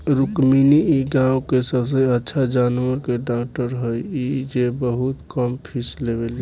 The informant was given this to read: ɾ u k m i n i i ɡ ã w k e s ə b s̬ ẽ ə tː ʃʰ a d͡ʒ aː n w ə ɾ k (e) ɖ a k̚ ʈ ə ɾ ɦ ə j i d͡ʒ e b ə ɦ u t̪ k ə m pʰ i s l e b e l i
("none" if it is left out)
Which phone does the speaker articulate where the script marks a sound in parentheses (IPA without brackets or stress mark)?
e